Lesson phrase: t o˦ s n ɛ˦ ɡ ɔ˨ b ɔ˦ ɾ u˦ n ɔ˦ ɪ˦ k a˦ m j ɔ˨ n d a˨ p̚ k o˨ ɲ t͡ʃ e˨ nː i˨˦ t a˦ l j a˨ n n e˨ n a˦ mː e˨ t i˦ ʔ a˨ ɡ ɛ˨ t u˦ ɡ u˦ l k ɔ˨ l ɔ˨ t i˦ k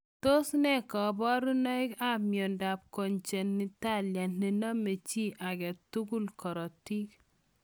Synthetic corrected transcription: t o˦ s n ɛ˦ k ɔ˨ b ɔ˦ ɾ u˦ n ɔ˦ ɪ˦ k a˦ m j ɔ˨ n d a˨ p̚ k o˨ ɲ t͡ʃ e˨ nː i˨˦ t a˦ l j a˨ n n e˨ n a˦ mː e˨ t͡ʃ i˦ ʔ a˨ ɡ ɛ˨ t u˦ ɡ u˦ l k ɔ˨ ɾ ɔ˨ t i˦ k